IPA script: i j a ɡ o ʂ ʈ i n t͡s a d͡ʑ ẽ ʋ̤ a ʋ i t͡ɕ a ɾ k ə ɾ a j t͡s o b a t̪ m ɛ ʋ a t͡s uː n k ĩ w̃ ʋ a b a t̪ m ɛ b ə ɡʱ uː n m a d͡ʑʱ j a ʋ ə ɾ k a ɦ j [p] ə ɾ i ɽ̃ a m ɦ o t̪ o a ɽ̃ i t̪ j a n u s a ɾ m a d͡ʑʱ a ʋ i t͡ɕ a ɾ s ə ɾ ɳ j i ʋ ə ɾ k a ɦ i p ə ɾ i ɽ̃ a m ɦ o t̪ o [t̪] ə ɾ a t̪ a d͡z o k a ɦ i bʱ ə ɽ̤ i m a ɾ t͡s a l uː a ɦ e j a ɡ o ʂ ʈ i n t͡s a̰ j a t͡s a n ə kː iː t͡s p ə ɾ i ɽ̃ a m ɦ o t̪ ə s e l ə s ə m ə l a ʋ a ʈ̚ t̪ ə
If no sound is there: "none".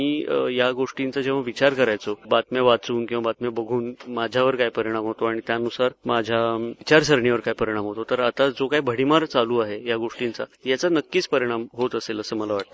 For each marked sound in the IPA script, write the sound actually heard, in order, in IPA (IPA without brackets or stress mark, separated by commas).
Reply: p, t̪